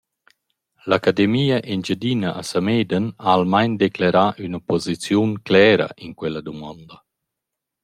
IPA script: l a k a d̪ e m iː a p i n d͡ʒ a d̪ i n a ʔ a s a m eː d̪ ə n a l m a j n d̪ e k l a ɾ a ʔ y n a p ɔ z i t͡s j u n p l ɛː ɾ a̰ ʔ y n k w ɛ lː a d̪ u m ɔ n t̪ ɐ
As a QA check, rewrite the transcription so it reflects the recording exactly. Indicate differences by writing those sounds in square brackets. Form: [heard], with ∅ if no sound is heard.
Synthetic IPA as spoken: l a k a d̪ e m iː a [ʔ] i n d͡ʒ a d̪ i n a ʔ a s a m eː d̪ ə n a l m a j n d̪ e k l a ɾ a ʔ y n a p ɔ z i t͡s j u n [k] l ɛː ɾ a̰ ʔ [i] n k w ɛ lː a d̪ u m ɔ n [d̪] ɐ